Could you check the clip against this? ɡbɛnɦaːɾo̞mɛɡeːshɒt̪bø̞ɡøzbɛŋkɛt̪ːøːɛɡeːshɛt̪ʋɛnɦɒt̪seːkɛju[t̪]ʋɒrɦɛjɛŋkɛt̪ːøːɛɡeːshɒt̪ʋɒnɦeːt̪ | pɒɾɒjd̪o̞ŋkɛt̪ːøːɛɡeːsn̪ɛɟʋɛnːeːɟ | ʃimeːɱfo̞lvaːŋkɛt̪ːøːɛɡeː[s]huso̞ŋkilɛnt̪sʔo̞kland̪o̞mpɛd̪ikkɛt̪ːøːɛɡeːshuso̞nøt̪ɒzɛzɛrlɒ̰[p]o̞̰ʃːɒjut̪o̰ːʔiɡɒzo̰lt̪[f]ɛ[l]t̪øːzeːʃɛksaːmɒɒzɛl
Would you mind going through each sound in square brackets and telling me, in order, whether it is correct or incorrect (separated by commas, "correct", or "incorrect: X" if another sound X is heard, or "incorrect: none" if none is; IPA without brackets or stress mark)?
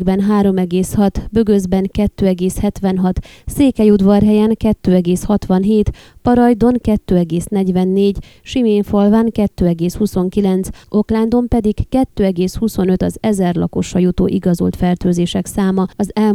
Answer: incorrect: d̪, correct, incorrect: k, correct, incorrect: r